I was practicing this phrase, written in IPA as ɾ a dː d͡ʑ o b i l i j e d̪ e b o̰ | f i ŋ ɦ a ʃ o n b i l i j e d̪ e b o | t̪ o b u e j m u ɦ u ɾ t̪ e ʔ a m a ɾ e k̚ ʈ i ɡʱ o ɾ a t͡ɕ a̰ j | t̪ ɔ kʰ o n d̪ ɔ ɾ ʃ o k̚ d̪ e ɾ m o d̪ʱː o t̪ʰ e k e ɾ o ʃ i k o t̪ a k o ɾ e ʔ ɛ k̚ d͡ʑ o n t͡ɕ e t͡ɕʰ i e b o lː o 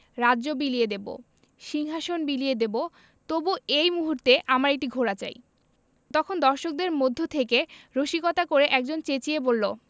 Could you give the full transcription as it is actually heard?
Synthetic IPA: ɾ a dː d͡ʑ o b i l i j e d̪ e b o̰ | ʃ i ŋ ɦ a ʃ o n b i l i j e d̪ e b o | t̪ o b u e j m u ɦ u ɾ t̪ e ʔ a m a ɾ e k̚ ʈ i ɡʱ o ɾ a t͡ɕ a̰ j | t̪ ɔ kʰ o n d̪ ɔ ɾ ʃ o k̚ d̪ e ɾ m o d̪ʱː o t̪ʰ e k e ɾ o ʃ i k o t̪ a k o ɾ e ʔ ɛ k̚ d͡ʑ o n t͡ɕ e t͡ɕ i e b o lː o